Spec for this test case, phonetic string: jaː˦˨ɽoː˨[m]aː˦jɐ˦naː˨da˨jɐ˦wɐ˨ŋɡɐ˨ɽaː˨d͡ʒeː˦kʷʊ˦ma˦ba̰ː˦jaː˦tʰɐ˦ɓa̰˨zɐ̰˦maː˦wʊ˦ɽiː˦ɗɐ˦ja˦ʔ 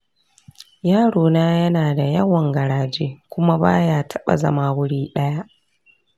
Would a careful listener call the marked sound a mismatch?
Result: yes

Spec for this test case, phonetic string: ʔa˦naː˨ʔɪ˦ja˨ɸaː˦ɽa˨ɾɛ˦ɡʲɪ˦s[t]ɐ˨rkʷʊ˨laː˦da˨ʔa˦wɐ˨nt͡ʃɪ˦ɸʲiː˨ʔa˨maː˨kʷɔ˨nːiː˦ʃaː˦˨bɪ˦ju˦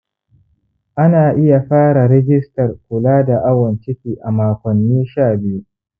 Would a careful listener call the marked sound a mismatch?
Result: no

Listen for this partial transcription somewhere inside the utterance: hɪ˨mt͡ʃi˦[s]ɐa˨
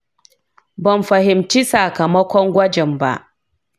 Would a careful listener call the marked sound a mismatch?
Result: no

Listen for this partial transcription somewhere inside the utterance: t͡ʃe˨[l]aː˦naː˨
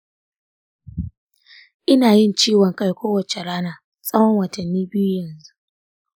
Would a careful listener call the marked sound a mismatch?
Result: yes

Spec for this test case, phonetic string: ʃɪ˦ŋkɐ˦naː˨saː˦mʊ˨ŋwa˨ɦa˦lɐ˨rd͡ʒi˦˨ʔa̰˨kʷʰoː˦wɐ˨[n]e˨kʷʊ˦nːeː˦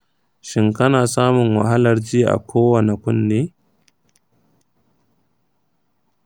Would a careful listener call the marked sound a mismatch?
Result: no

